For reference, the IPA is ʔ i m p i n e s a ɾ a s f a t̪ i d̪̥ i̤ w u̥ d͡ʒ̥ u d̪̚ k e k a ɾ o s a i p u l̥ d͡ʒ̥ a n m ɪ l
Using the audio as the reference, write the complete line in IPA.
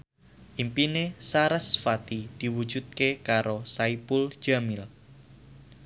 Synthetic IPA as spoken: ʔ i m p i n e s a ɾ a s f a t̪ i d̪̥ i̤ w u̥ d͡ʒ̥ u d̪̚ k e k a ɾ o s a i p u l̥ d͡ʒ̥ a m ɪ l